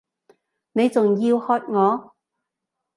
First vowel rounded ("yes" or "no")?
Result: no